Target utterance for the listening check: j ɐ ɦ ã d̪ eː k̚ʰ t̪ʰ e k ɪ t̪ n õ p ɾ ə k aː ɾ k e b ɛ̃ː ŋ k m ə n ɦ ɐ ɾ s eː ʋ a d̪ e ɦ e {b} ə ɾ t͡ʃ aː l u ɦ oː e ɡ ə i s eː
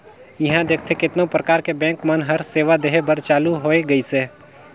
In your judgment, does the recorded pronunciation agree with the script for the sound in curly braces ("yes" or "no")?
yes